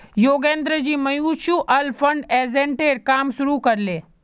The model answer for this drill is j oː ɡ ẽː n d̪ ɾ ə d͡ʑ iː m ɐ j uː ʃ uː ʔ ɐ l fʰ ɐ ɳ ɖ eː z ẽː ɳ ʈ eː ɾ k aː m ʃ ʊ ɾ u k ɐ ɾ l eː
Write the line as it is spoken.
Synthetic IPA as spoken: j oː ɡ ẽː n d̪ ɾ ə d͡ʑ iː m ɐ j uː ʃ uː ʔ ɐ l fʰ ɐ ɳ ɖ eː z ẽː ɳ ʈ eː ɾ k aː m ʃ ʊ ɾ u k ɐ ɾ l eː